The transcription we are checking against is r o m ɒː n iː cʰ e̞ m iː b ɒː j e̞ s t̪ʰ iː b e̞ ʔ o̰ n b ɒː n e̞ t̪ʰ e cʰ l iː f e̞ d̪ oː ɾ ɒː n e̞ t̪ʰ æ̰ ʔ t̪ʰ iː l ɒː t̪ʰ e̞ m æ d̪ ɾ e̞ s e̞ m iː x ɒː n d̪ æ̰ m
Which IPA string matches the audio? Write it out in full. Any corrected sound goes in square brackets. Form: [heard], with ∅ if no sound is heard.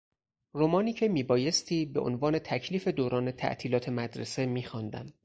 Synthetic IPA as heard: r o m ɒː n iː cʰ e̞ m iː b ɒː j e̞ s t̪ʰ iː b e̞ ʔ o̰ n [v] ɒː n e̞ t̪ʰ [æ] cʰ l iː f e̞ d̪ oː ɾ ɒː n e̞ t̪ʰ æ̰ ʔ t̪ʰ iː l ɒː t̪ʰ e̞ m æ d̪ ɾ e̞ s e̞ m iː x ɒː n d̪ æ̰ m